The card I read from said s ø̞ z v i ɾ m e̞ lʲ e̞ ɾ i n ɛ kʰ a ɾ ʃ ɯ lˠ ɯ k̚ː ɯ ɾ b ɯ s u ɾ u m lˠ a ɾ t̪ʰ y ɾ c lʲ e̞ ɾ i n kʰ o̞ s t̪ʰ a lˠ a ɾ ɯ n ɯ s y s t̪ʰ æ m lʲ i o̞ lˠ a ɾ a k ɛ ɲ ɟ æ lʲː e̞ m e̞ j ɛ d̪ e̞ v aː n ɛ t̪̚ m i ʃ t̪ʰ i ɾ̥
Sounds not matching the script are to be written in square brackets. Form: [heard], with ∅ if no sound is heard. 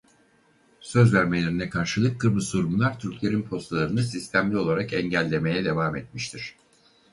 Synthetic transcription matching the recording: s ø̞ z v [æ] ɾ m e̞ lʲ e̞ ɾ i n ɛ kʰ a ɾ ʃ ɯ lˠ ɯ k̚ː ɯ ɾ b ɯ s u ɾ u m lˠ a ɾ t̪ʰ y ɾ c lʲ e̞ ɾ i n [pʰ] o̞ s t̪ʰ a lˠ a ɾ ɯ n ɯ s [i] s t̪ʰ æ m lʲ i o̞ lˠ a ɾ a k ɛ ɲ ɟ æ lʲː e̞ m e̞ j ɛ d̪ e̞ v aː [m] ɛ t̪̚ m i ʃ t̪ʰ i ɾ̥